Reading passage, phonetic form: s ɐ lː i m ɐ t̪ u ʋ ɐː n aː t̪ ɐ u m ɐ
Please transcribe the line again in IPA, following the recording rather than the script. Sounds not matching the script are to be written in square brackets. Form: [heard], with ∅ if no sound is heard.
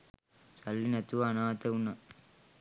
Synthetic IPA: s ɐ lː i [n] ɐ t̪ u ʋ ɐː n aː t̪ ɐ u [n] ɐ

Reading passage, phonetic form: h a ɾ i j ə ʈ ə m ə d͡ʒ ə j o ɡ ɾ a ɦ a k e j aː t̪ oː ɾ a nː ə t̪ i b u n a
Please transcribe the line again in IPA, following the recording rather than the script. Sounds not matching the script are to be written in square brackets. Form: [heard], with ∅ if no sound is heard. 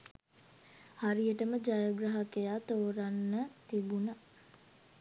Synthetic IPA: h a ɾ i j ə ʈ ə m ə d͡ʒ [a] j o ɡ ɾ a ɦ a k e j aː t̪ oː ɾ a nː ə t̪ i b u n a

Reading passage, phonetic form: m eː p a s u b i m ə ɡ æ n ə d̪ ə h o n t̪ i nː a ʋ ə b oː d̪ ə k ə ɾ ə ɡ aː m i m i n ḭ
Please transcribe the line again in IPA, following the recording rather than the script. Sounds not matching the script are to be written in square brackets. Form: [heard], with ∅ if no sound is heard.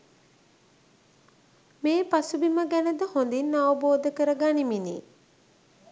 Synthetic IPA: m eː p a s u b i m ə ɡ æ n ə d̪ ə h o n [d̪] i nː a ʋ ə b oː d̪ ə k ə ɾ ə ɡ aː [n] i m i n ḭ

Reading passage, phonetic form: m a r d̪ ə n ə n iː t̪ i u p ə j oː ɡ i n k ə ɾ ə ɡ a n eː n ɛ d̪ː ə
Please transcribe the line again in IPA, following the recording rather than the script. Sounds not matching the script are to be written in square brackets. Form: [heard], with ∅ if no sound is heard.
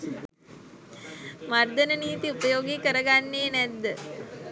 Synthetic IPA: m a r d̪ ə n ə n iː t̪ i u p ə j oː ɡ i [∅] k ə ɾ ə ɡ a [nː] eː n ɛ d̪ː ə

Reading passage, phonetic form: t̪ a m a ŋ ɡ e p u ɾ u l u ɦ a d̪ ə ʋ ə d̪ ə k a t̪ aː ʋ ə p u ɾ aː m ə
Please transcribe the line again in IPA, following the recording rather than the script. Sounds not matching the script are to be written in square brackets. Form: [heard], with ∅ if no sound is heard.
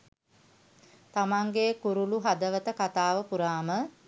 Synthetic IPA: t̪ a m a ŋ ɡ e [k] u ɾ u l u ɦ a d̪ ə ʋ ə [t̪] ə k a t̪ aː ʋ ə p u ɾ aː m ə

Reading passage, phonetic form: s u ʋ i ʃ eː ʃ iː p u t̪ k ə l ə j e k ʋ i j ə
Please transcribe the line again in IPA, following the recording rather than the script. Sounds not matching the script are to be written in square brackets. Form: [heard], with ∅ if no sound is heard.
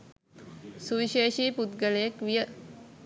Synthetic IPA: s u ʋ i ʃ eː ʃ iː p u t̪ [ɡ] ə l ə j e k ʋ i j ə

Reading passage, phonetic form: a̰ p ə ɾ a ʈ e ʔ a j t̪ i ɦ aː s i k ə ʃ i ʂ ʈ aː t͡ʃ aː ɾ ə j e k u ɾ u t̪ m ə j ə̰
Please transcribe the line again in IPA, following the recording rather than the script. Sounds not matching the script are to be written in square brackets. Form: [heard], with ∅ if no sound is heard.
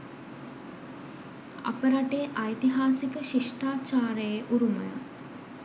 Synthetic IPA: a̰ p ə ɾ a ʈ e ʔ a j t̪ i ɦ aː s i k ə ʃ i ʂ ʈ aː t͡ʃ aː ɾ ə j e [ʔ] u ɾ u [∅] m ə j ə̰

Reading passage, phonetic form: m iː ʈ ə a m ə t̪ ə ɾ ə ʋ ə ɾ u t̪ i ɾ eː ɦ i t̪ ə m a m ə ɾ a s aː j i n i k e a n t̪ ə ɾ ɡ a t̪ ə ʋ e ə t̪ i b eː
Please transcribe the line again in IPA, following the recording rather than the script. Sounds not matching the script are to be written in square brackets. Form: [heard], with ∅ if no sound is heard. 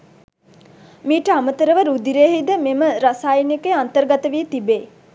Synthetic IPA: m iː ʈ ə a m ə t̪ ə ɾ ə ʋ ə ɾ u [d̪] i ɾ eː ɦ i [d̪] ə m [e] m ə ɾ a s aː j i n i k e a n t̪ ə ɾ ɡ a t̪ ə ʋ [i] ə t̪ i b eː

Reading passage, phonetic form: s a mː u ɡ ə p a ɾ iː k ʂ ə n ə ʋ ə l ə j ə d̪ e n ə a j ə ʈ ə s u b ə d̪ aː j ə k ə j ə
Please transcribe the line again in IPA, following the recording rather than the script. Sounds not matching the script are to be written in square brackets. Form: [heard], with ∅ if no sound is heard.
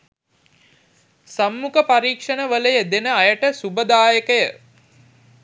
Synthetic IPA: s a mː u [k] ə p a ɾ iː k ʂ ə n ə ʋ ə l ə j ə d̪ e n ə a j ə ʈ ə s u b ə d̪ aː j ə k ə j ə

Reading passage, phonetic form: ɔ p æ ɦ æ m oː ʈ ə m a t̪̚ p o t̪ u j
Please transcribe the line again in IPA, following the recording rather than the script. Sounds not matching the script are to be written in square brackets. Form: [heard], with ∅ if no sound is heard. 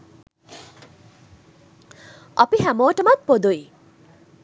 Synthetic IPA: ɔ p [i] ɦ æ m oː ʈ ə m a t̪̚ p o [d̪] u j

